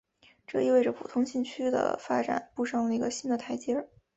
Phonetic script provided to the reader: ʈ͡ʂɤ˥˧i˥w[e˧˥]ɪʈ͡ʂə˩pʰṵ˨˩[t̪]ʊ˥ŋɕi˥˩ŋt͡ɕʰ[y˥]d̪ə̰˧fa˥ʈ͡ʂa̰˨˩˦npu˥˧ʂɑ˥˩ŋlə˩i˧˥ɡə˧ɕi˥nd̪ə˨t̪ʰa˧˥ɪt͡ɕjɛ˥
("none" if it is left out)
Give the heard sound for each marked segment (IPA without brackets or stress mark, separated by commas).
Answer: e˥˩, t̪ʰ, y˥